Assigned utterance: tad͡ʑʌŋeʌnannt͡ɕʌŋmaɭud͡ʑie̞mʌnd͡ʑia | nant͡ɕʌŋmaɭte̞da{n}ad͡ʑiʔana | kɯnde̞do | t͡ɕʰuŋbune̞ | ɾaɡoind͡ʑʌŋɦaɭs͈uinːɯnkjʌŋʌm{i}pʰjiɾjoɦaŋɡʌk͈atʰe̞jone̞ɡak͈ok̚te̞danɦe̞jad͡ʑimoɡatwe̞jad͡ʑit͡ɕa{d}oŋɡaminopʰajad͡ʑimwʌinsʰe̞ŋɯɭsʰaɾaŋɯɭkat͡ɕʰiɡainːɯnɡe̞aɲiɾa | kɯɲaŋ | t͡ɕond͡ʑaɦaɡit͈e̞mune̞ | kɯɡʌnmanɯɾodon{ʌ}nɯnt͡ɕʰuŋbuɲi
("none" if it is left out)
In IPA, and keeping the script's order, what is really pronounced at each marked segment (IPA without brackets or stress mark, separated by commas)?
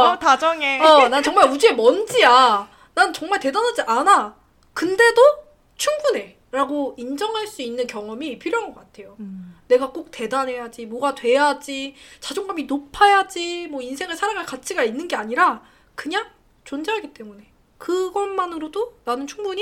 n, i, d͡ʑ, a